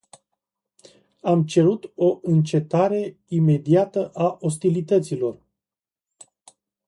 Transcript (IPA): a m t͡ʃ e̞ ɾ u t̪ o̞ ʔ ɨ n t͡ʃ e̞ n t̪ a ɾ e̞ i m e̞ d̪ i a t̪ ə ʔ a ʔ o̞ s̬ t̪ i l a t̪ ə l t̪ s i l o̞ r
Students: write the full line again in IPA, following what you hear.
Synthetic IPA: a m t͡ʃ e̞ ɾ u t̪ o̞ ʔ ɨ n t͡ʃ e̞ t̪ a ɾ e̞ i m e̞ d̪ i a t̪ ə ʔ a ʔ o̞ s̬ t̪ i l i t̪ ə t̪ s i l o̞ r